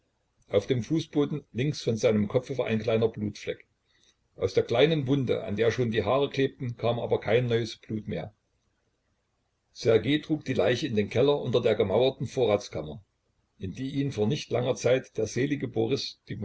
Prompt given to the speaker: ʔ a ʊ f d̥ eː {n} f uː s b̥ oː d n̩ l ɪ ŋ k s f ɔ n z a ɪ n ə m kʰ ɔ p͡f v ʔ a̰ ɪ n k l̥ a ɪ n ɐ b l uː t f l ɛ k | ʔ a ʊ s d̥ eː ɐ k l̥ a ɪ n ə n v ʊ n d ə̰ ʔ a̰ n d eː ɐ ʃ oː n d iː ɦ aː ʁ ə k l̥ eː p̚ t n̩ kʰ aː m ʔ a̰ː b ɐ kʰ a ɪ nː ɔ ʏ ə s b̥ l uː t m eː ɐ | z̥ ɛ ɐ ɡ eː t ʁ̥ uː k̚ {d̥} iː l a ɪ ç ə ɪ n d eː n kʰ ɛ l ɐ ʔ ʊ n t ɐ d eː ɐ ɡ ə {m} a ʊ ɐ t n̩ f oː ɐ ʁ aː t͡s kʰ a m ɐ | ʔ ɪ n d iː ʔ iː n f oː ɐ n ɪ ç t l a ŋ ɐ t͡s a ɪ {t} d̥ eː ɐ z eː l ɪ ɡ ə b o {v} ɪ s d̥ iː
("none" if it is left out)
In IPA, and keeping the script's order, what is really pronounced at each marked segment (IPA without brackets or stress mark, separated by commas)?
m, d̥, m, t, ʁ